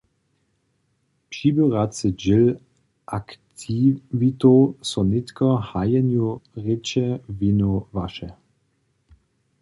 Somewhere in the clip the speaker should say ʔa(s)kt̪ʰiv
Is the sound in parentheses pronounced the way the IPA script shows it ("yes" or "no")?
no